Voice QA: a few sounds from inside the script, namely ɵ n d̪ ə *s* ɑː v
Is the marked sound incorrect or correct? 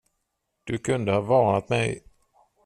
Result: incorrect